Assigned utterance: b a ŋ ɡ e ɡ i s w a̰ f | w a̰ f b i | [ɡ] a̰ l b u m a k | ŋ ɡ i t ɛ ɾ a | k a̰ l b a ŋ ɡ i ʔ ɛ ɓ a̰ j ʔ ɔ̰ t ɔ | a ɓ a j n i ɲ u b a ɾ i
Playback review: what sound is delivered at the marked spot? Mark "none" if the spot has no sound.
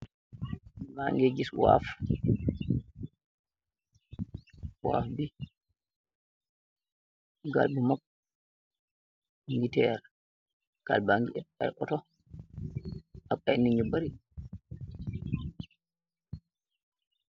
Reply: ɡ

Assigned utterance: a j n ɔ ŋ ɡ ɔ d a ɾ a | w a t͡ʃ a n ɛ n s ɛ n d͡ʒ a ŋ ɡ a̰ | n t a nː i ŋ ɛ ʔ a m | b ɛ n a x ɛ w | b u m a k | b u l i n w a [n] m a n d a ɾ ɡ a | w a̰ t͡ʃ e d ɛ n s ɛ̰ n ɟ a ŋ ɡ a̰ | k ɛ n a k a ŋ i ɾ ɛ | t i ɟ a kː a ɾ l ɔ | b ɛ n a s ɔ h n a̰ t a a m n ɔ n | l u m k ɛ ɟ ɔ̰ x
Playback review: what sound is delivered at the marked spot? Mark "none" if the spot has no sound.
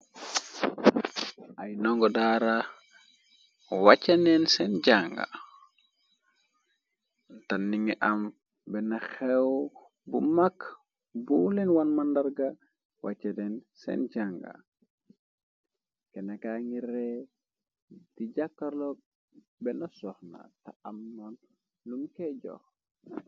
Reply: n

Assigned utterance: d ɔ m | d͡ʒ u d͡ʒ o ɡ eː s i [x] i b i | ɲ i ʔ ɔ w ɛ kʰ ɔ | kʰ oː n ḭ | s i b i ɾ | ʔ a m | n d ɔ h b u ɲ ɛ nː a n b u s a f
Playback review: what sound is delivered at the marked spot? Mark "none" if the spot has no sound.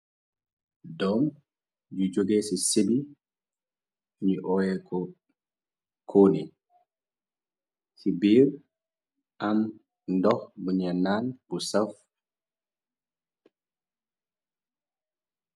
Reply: s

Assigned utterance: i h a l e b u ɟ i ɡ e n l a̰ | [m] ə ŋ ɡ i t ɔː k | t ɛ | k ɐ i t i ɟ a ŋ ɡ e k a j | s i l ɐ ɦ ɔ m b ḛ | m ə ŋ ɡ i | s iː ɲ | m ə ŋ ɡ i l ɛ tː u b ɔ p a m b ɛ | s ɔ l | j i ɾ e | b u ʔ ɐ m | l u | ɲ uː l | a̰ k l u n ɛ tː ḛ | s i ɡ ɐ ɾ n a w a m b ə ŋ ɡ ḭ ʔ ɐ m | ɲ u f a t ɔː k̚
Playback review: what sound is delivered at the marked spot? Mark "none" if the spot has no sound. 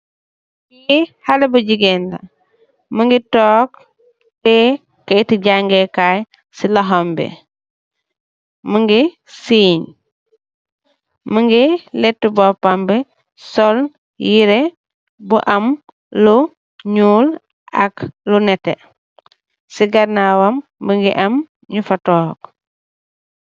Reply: m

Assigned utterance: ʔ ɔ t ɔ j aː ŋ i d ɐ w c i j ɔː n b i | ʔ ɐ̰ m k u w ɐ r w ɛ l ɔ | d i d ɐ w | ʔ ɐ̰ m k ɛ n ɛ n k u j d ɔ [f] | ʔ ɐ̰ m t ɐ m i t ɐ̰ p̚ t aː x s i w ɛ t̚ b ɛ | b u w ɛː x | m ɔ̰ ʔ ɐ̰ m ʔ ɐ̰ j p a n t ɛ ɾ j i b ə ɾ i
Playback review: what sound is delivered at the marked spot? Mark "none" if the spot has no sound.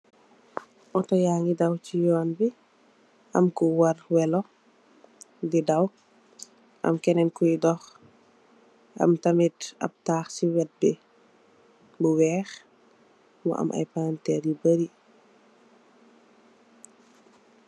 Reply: x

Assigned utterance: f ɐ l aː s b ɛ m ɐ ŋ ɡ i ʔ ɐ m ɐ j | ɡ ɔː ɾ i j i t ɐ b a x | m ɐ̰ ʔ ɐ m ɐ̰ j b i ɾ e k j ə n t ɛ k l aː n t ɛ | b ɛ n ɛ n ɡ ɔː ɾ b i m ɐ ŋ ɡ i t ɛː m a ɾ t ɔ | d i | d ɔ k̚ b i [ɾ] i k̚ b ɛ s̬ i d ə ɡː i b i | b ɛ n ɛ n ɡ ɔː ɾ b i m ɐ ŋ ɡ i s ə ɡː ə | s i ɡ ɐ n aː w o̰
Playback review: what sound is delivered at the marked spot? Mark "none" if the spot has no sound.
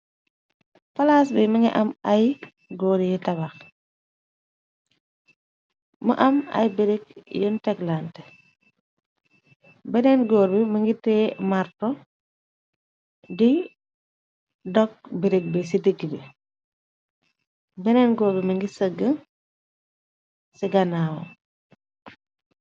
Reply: ɾ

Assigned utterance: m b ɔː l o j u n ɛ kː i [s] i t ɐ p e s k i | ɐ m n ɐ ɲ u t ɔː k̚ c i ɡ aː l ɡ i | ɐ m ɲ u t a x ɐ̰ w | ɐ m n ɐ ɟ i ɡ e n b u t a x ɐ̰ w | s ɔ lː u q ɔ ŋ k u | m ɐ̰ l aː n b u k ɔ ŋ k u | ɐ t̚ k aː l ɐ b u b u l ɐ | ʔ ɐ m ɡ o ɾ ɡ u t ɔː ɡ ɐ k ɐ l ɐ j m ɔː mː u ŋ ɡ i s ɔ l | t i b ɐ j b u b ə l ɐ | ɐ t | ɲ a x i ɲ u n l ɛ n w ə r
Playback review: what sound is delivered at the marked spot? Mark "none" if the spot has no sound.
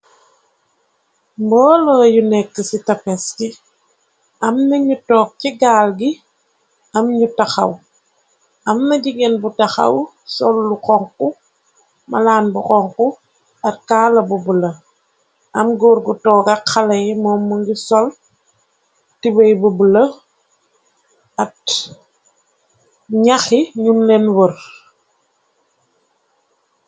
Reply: s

